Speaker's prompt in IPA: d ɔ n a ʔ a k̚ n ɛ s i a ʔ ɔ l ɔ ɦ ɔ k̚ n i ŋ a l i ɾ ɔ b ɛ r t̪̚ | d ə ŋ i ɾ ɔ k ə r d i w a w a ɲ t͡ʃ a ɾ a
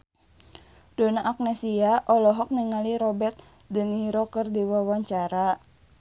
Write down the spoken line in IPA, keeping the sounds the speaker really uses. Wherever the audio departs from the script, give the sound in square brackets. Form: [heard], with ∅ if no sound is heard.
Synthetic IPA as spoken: d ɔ n a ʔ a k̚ n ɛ s i a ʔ ɔ l ɔ ɦ ɔ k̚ n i ŋ a l i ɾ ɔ b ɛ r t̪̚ | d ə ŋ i ɾ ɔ k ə r d i w a w a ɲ t͡ʃ a ɾ a